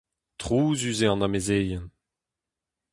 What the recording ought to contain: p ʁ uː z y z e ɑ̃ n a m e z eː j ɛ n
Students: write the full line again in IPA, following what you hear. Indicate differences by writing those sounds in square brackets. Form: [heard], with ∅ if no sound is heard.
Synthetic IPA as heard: [t] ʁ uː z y z e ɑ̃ n a m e z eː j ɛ n